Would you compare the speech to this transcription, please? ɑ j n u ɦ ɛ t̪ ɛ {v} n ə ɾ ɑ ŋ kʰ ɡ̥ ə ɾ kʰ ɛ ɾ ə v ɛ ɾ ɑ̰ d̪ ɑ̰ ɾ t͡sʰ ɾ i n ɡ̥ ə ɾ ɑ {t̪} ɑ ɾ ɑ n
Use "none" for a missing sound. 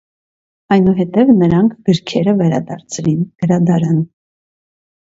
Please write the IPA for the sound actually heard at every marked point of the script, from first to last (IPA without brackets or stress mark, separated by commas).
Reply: v, d̪